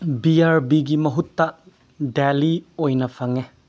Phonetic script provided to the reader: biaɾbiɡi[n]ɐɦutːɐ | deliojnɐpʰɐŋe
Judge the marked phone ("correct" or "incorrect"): incorrect